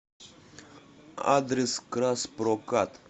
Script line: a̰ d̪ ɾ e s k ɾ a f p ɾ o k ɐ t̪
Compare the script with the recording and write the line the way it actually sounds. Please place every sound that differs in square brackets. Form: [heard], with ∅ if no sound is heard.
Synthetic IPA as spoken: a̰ d̪ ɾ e s k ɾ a [s] p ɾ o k [a] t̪